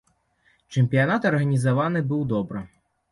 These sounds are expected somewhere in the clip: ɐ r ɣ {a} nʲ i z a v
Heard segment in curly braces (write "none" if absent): ɐ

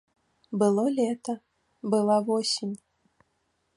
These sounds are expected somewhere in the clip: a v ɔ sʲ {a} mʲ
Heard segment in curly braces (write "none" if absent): i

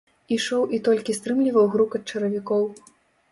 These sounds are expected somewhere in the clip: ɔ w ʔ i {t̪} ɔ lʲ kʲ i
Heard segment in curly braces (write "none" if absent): t̪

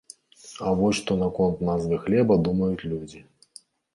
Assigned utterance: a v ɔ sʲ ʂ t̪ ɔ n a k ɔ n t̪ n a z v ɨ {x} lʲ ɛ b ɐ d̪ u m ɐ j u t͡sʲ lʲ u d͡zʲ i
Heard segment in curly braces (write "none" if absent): x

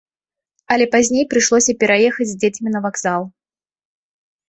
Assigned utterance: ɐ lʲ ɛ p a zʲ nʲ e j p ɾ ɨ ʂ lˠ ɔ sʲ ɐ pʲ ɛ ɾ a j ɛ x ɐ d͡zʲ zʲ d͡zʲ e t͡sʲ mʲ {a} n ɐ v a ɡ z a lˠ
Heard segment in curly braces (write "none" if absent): i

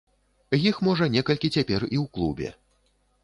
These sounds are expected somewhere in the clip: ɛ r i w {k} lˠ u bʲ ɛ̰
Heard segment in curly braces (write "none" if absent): k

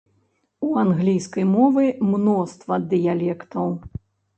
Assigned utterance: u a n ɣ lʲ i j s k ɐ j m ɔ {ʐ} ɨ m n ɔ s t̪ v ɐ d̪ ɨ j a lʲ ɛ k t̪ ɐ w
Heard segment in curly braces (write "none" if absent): v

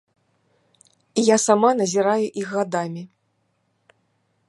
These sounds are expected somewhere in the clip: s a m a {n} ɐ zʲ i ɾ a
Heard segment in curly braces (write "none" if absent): n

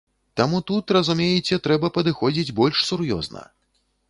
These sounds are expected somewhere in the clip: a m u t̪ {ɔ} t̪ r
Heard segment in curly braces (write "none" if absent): u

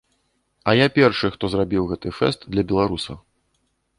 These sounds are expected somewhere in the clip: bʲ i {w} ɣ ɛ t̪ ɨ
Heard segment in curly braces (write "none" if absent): w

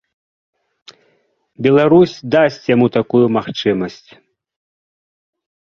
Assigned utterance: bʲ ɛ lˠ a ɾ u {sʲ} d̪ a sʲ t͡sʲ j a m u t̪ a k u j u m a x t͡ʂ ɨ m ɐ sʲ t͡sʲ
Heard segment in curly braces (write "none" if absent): sʲ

